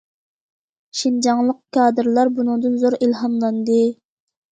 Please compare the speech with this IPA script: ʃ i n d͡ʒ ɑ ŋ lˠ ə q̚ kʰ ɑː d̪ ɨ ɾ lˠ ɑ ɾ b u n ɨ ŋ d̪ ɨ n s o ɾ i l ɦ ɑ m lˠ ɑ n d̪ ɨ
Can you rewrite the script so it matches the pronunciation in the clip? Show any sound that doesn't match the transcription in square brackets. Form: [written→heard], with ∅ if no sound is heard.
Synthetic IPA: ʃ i n d͡ʒ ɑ ŋ lˠ ə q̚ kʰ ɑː d̪ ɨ ɾ lˠ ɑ ɾ b u n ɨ ŋ d̪ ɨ n [s→z] o ɾ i l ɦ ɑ m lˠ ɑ n d̪ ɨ

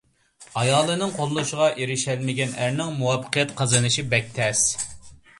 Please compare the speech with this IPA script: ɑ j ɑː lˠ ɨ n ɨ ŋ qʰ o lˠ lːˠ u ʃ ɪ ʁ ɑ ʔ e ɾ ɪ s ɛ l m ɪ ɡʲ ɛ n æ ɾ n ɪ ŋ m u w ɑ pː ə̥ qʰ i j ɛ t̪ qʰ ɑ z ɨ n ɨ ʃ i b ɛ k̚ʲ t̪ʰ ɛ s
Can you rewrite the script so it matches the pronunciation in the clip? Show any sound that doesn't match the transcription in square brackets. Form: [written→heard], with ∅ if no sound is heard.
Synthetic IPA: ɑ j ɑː lˠ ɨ n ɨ ŋ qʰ o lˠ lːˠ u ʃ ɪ ʁ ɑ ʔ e ɾ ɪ [s→ʃ] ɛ l m ɪ ɡʲ ɛ n æ ɾ n ɪ ŋ m u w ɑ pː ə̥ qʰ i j ɛ t̪ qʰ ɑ z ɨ n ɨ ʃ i b ɛ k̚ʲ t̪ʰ ɛ s

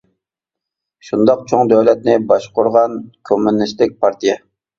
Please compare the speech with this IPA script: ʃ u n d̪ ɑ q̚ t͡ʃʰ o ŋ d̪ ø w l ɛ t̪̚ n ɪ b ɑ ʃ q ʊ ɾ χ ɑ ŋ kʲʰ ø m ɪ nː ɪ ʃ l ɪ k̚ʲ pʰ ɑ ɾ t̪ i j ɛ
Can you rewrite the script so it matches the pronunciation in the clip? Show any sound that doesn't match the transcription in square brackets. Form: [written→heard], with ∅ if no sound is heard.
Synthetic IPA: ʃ u n d̪ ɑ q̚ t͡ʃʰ o ŋ d̪ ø w l ɛ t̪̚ n ɪ b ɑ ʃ q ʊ ɾ [χ→ʁ] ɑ [ŋ→n] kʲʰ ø m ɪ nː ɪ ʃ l ɪ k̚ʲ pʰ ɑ ɾ t̪ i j ɛ

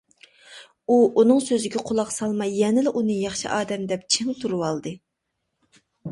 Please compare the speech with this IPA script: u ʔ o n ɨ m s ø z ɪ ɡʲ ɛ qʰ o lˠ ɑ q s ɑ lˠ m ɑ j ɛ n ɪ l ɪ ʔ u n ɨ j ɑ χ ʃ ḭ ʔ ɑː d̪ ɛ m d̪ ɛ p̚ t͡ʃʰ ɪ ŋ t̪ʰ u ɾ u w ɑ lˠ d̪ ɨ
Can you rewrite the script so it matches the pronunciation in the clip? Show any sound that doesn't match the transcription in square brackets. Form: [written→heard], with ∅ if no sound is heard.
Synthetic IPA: u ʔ [o→u] n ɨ [m→ŋ] s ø z ɪ ɡʲ ɛ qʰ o lˠ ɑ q s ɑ lˠ m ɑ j ɛ n ɪ l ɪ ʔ u n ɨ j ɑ χ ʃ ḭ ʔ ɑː d̪ ɛ m d̪ ɛ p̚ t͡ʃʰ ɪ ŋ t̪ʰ u ɾ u w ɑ lˠ d̪ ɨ

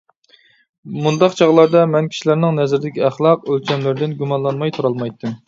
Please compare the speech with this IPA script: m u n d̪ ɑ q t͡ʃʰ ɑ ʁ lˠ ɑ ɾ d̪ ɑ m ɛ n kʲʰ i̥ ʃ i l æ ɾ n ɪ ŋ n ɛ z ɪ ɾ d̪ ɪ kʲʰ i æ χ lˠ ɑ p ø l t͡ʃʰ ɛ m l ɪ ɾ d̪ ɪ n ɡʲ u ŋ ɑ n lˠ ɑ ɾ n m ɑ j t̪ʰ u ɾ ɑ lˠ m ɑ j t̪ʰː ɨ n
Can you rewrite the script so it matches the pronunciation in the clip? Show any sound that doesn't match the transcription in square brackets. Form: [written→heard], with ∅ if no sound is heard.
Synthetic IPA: m u n d̪ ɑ q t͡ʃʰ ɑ ʁ lˠ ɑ ɾ d̪ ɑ m ɛ n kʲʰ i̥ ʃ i l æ ɾ n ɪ ŋ n ɛ z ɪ ɾ d̪ ɪ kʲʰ i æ χ lˠ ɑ [p→q] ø l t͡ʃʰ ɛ m l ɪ ɾ d̪ ɪ n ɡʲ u [ŋ→m] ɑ n lˠ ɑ [ɾ→∅] n m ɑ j t̪ʰ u ɾ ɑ lˠ m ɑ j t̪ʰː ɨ [n→m]

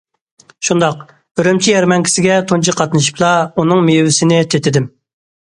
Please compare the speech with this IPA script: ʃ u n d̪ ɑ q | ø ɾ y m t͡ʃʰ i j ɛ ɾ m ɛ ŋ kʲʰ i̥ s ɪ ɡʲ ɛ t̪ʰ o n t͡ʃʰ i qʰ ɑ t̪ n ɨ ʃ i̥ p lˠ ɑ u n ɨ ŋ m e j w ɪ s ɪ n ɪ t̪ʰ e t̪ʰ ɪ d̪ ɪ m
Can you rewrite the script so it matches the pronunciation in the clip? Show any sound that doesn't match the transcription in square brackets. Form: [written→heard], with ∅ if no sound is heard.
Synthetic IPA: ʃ u n d̪ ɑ q | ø ɾ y m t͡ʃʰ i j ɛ ɾ m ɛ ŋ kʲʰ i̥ s ɪ ɡʲ ɛ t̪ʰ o n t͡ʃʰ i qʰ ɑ t̪ n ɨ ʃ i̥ p lˠ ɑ u n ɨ ŋ m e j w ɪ s ɪ n ɪ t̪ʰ e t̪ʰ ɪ d̪ ɪ m

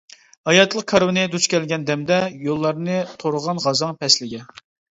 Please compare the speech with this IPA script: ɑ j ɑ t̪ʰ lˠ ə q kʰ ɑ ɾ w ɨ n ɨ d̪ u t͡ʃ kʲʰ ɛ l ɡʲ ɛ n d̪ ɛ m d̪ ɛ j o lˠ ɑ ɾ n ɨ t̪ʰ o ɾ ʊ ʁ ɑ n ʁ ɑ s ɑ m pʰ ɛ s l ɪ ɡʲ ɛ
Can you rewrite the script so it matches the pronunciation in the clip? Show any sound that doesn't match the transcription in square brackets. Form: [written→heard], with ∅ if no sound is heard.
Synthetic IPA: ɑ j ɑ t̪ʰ lˠ ə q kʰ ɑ ɾ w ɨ n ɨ d̪ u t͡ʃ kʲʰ ɛ l ɡʲ ɛ n d̪ ɛ m d̪ ɛ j o [lˠ→lˠː] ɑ ɾ n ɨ t̪ʰ o ɾ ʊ ʁ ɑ n ʁ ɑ [s→z] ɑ [m→ŋ] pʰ ɛ s l ɪ ɡʲ ɛ

